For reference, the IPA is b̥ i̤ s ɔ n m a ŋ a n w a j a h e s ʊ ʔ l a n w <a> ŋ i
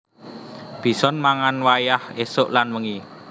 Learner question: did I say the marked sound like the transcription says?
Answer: no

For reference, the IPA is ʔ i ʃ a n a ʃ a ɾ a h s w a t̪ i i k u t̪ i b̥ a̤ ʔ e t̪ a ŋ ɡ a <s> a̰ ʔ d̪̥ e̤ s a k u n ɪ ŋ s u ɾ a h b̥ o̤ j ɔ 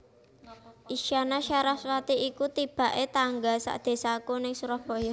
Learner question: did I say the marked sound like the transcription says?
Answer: yes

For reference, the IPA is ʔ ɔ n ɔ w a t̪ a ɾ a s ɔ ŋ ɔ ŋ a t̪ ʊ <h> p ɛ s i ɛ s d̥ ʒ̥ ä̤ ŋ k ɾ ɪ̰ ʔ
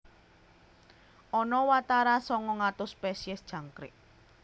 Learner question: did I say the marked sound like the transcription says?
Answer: no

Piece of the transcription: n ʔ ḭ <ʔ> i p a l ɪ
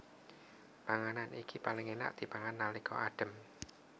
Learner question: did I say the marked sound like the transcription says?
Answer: no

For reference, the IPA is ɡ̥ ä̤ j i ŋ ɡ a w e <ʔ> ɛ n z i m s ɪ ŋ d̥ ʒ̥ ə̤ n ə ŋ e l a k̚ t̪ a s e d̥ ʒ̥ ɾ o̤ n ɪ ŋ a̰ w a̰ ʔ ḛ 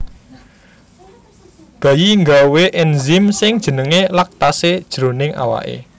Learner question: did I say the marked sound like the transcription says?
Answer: yes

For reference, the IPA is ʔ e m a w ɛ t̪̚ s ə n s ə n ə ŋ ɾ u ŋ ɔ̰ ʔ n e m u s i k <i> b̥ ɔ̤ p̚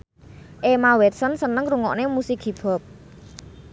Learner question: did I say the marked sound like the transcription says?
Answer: yes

